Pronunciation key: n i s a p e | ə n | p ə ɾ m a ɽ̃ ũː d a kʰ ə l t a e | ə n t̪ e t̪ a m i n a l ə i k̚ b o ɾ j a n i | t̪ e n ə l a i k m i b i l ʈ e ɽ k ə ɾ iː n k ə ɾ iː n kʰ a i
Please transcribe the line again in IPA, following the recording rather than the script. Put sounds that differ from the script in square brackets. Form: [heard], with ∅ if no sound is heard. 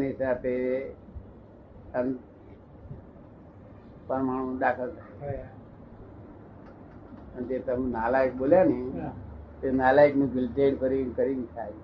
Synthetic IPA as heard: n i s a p e | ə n | p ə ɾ m a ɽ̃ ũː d a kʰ ə l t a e | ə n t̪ e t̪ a m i n a l [a] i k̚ b o [l] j a n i | t̪ e n [a] l a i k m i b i l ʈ e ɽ k ə ɾ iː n k ə ɾ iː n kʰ a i